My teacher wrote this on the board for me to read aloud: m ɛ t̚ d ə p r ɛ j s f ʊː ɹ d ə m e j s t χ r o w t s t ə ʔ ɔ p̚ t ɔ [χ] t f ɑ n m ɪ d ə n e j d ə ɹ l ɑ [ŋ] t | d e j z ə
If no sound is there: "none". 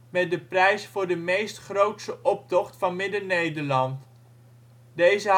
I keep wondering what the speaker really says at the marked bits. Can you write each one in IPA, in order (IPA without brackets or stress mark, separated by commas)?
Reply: χ, n